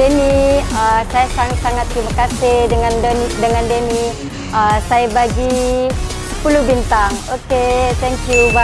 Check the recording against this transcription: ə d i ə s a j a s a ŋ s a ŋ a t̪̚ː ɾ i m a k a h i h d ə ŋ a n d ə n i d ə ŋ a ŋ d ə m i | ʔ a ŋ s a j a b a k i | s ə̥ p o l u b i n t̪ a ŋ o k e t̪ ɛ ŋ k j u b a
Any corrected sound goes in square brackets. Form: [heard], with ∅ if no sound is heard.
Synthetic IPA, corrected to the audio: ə [n] i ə s a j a s a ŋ s a ŋ a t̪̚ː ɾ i m a k a [s] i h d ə ŋ a n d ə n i d ə ŋ a [n] d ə [n] i | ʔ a [∅] s a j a b a [ɡ] i | s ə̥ p [u] l u b i n t̪ a ŋ o k e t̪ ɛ ŋ k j u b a